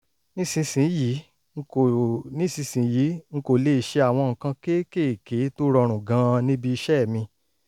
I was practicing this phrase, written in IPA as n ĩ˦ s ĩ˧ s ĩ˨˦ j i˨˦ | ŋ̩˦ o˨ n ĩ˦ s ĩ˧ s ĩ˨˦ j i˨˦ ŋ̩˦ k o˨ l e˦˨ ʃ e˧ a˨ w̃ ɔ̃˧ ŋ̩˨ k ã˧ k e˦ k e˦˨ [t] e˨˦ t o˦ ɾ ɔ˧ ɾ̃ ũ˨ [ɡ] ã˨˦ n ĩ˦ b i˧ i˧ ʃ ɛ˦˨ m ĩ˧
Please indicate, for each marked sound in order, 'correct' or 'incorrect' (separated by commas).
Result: incorrect, correct